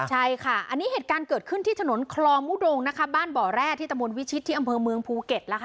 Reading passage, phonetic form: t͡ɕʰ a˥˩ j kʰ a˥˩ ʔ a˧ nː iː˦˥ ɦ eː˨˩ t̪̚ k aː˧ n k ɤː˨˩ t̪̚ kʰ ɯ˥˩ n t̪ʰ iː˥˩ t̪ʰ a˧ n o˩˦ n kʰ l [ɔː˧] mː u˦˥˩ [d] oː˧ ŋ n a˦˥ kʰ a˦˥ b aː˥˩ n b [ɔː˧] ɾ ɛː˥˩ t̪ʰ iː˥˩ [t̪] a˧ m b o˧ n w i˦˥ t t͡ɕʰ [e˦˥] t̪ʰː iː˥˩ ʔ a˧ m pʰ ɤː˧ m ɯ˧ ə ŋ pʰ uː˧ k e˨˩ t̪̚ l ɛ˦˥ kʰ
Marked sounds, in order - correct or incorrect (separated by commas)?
correct, correct, incorrect, correct, incorrect